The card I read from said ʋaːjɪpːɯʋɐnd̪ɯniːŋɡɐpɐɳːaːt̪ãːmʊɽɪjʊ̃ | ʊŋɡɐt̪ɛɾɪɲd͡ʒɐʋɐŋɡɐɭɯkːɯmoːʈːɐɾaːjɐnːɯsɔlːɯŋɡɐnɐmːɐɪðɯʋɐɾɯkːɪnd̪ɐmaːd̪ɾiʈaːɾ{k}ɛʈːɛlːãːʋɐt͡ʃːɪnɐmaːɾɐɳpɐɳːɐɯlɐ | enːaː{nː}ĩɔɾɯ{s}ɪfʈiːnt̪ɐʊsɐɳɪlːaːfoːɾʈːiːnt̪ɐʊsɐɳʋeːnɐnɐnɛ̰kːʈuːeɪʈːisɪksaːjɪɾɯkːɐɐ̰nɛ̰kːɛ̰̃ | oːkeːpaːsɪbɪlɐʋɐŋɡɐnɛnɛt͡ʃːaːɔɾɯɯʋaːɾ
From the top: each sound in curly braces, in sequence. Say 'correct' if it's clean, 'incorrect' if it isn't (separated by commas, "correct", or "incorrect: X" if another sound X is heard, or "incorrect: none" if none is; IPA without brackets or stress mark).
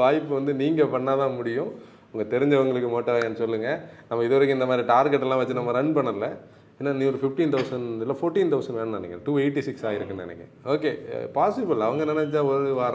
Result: incorrect: ɡ, incorrect: n, incorrect: f